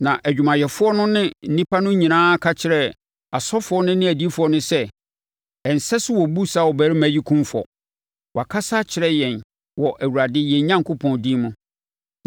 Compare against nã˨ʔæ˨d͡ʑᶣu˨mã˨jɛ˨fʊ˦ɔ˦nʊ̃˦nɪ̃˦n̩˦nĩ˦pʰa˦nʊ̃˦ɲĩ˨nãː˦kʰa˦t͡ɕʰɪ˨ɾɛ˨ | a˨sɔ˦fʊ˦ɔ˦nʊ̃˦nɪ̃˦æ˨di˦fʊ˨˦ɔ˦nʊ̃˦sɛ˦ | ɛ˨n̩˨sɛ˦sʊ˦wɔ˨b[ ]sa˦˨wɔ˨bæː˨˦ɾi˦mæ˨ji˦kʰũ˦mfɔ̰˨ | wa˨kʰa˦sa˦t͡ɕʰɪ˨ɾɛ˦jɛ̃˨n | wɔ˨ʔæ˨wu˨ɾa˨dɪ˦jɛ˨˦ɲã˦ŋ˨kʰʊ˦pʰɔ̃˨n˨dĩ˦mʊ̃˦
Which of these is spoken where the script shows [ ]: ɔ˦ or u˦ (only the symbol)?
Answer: u˦